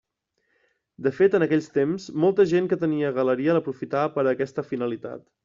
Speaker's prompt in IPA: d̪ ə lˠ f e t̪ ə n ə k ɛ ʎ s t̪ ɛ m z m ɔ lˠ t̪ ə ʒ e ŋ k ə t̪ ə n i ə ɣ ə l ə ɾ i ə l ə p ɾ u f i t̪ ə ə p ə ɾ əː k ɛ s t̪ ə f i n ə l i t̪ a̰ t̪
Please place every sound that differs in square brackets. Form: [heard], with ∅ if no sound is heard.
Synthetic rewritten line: d̪ ə [∅] f e t̪ ə n ə k ɛ ʎ s t̪ [e] m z m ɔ lˠ t̪ ə ʒ e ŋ k ə t̪ ə n i ə ɣ ə l ə ɾ i ə l ə p ɾ u f i t̪ [a] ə p ə ɾ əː k ɛ s t̪ ə f i n ə l i t̪ a̰ t̪